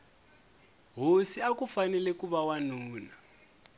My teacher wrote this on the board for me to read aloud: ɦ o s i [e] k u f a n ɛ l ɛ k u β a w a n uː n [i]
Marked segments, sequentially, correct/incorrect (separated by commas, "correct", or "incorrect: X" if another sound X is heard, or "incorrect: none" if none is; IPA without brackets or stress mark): incorrect: a, incorrect: a